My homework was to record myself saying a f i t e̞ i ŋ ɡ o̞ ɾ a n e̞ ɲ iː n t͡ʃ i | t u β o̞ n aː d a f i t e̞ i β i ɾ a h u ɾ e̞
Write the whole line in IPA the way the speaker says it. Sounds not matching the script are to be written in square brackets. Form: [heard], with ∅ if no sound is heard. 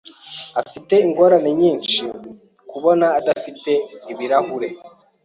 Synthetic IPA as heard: a f i t e̞ i ŋ ɡ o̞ ɾ a n e̞ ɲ iː n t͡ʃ i | [k] u β o̞ n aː d a f i t e̞ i β i ɾ a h u ɾ e̞